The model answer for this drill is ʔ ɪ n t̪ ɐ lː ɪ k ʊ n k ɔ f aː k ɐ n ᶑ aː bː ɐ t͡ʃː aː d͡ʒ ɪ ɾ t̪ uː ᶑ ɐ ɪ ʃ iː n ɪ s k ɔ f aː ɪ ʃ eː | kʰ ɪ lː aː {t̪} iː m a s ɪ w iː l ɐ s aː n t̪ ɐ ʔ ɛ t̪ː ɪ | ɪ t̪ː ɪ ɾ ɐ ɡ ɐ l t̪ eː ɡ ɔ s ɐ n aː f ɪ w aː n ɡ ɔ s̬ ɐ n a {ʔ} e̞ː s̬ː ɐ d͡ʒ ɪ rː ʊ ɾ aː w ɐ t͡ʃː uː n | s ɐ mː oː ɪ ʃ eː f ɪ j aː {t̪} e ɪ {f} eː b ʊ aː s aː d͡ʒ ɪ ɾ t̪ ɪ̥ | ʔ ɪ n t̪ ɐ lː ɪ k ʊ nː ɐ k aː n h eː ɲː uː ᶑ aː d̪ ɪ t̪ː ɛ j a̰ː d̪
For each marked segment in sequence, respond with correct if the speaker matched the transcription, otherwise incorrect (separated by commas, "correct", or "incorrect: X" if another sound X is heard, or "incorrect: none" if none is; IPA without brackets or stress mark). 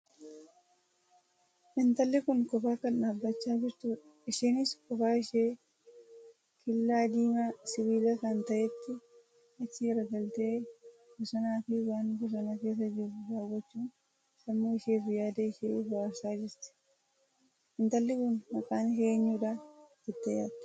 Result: incorrect: d̪, incorrect: k, incorrect: d̪, incorrect: ʃ